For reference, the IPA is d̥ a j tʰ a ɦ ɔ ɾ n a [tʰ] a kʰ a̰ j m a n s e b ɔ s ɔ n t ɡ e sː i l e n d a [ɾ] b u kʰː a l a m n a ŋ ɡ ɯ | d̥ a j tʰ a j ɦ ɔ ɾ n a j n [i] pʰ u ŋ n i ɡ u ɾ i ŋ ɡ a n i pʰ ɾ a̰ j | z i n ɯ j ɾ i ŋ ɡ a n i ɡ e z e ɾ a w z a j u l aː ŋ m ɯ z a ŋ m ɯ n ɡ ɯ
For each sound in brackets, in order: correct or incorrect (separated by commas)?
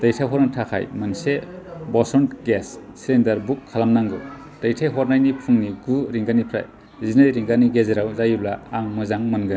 correct, correct, correct